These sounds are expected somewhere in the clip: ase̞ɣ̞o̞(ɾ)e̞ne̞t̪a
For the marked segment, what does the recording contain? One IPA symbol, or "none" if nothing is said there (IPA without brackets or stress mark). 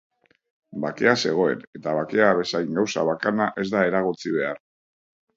none